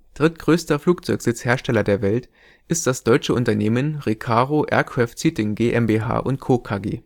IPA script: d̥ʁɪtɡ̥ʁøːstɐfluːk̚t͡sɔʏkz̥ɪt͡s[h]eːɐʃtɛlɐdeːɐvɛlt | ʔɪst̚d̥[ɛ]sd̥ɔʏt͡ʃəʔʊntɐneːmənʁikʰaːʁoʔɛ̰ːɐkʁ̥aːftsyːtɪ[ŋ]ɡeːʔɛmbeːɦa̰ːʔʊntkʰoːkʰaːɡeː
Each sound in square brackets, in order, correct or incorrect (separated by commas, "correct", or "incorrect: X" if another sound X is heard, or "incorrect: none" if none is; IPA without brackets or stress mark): correct, incorrect: a, correct